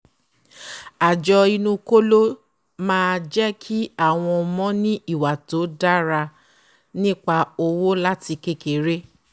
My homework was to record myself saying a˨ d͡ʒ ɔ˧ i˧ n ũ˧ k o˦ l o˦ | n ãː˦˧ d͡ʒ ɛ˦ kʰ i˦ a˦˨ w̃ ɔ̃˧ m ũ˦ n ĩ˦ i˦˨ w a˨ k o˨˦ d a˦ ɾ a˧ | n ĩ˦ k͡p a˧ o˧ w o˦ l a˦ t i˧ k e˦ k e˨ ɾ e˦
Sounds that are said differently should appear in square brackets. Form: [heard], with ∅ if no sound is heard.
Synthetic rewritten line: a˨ d͡ʒ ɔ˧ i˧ n ũ˧ k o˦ l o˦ | [m] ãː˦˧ d͡ʒ ɛ˦ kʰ i˦ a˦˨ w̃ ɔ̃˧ m [ɔ̃˦] n ĩ˦ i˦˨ w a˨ [t] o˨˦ d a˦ ɾ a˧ | n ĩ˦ k͡p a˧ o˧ w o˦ l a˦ t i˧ k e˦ k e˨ ɾ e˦